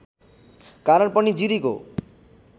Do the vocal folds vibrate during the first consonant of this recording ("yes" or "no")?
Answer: no